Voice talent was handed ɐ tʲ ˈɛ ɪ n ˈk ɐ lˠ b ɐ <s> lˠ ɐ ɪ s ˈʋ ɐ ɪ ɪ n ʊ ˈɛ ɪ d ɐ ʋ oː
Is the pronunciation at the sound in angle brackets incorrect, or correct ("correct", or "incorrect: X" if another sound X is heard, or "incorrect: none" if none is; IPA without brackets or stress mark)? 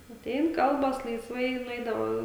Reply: correct